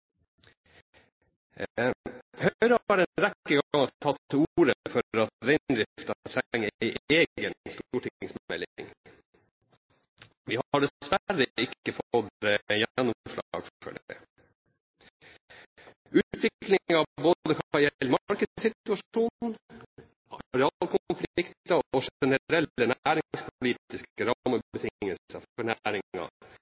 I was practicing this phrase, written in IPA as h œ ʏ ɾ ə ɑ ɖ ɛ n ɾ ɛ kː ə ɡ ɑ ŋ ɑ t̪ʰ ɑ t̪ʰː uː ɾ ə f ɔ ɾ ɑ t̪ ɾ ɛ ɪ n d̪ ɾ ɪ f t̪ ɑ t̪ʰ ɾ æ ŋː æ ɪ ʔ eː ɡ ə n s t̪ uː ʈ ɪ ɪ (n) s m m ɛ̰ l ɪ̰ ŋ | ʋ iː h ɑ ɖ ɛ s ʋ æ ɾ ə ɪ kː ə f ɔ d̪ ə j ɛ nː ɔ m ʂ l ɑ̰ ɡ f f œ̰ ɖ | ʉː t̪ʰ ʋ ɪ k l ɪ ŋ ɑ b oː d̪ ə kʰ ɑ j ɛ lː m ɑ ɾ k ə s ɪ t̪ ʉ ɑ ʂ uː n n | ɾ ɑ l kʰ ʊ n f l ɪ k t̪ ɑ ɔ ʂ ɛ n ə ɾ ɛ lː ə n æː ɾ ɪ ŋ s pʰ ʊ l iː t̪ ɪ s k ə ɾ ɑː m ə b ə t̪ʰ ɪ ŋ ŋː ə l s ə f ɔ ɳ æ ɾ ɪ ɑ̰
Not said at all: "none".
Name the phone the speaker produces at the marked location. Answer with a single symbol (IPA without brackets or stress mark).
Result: ŋ